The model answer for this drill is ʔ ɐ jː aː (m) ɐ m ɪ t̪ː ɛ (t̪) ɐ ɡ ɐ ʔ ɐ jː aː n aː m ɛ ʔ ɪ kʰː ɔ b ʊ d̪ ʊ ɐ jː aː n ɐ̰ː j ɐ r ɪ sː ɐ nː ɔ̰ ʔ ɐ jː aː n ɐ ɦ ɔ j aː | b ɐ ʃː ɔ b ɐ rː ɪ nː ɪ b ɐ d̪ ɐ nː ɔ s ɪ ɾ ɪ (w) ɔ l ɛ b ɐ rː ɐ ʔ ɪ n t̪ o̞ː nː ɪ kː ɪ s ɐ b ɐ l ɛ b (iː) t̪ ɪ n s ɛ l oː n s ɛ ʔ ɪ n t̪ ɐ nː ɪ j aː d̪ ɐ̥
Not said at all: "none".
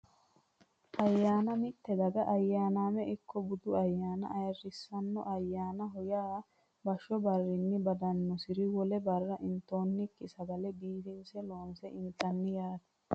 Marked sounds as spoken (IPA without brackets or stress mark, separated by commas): n, d̪, w, iː